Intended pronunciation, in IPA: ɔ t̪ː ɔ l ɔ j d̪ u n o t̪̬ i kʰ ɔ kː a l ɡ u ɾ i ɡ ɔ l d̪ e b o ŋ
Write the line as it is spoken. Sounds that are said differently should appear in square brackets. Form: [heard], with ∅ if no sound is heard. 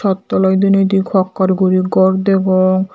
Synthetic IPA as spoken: ɔ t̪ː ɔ l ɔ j d̪ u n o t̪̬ i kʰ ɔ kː a [ɾ] ɡ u ɾ i ɡ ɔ [ɾ] d̪ e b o ŋ